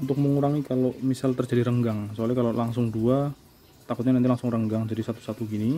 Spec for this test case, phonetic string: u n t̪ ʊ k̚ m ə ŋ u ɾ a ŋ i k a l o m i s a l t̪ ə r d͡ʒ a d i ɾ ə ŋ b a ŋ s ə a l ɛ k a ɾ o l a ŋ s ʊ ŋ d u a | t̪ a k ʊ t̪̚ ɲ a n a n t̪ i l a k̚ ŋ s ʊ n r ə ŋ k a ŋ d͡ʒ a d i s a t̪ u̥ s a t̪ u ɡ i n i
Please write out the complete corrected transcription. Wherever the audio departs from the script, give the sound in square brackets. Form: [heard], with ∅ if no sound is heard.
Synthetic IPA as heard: u n t̪ ʊ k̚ m ə ŋ u ɾ a ŋ i k a l o m i s a l t̪ ə r d͡ʒ a d i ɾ ə ŋ [ɡ] a ŋ s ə a l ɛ k a [l] o l a ŋ s ʊ ŋ d u a | t̪ a k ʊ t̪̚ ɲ a n a n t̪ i l a [∅] ŋ s ʊ [ŋ] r ə ŋ [ɡ] a ŋ d͡ʒ a d i s a t̪ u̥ s a t̪ u ɡ i n i